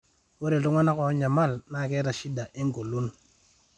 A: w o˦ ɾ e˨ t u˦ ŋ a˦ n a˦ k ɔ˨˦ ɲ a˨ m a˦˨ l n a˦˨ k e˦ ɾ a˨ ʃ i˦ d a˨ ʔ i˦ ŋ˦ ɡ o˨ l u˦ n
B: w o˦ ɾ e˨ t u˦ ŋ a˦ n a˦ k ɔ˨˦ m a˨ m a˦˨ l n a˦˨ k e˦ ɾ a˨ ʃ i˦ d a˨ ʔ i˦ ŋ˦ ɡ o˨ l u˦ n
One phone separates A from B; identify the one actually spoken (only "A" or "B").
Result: A